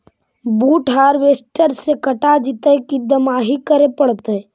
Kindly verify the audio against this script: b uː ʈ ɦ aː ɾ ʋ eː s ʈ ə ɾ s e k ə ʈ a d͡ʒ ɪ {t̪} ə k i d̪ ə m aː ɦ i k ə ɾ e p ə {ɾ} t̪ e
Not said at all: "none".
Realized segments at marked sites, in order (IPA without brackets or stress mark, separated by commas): t̪, ɽ